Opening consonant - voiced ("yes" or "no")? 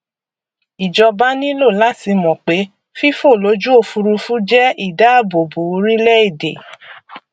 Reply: yes